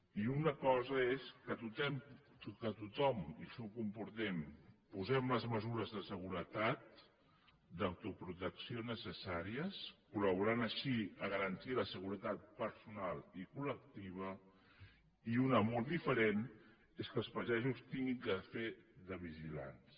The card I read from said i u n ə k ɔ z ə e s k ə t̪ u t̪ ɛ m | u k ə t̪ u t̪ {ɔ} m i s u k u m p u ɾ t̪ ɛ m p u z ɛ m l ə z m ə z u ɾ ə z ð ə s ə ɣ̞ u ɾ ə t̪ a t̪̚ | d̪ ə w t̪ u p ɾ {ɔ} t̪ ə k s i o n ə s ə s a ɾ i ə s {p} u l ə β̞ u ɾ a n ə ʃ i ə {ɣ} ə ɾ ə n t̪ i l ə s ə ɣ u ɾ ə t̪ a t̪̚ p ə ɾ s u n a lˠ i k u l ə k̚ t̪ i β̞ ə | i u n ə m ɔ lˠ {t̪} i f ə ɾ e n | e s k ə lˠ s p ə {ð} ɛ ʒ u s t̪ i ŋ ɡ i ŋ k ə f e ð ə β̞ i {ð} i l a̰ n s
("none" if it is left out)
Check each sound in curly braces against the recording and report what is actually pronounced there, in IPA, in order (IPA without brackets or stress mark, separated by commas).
ɔ, u, k, ɣ, d̪, ʒ, ʒ